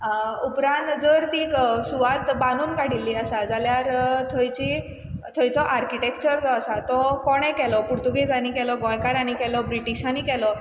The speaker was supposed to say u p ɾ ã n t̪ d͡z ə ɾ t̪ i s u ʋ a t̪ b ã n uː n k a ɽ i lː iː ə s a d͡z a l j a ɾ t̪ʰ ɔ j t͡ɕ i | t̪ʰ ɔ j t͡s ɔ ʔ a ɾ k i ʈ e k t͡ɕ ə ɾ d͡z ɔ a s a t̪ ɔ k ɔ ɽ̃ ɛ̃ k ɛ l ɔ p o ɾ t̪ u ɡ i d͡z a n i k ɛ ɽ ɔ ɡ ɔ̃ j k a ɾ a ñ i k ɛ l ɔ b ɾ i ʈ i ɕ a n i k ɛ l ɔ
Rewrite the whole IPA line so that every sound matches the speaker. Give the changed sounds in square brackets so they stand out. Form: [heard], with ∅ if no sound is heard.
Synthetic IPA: u p ɾ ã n t̪ d͡z ə ɾ t̪ i s u ʋ a t̪ b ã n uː n k a ɽ i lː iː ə s a d͡z a l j a ɾ t̪ʰ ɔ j t͡ɕ i | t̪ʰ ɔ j t͡s ɔ ʔ a ɾ k i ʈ e k t͡ɕ ə ɾ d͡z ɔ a s a t̪ ɔ k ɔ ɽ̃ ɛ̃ k ɛ l ɔ p [u] ɾ t̪ u ɡ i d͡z a n i k ɛ [l] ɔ ɡ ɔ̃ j k a ɾ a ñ i k ɛ l ɔ b ɾ i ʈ i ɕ a n i k ɛ l ɔ